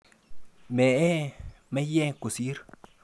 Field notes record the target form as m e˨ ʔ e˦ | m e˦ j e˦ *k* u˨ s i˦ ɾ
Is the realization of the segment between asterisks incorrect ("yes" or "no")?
no